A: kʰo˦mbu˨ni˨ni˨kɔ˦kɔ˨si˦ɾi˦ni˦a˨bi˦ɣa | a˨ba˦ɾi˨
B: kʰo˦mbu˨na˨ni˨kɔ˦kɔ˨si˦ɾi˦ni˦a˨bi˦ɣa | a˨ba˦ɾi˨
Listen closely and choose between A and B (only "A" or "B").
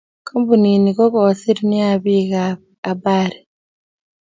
A